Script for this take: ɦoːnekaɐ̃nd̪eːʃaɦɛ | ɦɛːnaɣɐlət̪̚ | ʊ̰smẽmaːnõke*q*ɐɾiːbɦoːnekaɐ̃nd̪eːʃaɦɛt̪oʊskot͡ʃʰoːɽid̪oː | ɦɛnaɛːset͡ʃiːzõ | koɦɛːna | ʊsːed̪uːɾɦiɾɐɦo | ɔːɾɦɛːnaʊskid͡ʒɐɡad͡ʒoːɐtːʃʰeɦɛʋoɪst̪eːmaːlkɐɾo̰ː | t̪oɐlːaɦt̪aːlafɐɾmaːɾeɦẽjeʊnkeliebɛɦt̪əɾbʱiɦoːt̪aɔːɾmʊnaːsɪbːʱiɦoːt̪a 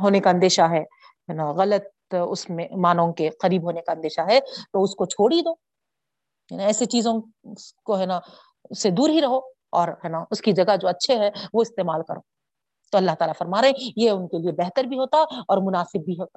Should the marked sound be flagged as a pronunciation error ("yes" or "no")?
no